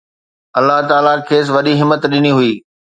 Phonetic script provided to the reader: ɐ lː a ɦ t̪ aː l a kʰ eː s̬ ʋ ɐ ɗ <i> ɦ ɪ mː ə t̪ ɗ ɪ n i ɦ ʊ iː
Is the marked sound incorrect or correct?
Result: correct